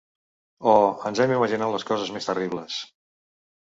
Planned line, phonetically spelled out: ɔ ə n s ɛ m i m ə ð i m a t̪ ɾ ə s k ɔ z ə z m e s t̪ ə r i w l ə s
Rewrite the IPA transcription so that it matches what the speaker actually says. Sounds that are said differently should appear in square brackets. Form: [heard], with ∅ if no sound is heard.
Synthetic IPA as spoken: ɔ ə n [z] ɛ m i m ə [ʒ] i [n] a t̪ [l] ə s k ɔ z ə z m e s t̪ ə r i [β] l ə s